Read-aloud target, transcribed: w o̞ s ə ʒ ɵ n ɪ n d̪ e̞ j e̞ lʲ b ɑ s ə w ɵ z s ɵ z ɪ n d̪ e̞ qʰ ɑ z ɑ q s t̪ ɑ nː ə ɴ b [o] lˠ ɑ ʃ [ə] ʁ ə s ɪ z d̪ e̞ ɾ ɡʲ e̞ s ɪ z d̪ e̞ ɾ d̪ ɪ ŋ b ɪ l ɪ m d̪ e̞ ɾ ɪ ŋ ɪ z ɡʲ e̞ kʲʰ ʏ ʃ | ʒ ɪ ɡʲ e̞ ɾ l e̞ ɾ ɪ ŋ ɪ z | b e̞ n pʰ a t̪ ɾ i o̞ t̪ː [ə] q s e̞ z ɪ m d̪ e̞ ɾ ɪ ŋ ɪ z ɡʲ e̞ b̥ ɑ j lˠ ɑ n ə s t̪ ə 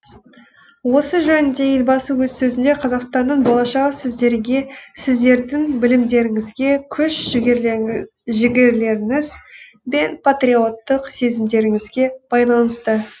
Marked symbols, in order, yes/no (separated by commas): yes, no, yes